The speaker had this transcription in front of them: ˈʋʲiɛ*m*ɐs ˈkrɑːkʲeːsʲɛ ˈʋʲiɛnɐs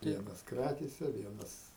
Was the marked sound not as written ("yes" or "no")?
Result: yes